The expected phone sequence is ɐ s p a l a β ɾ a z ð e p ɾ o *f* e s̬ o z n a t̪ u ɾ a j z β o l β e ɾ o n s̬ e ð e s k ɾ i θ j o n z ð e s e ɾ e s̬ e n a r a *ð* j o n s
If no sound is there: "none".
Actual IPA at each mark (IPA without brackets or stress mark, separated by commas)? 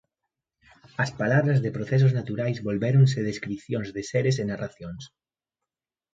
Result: θ, θ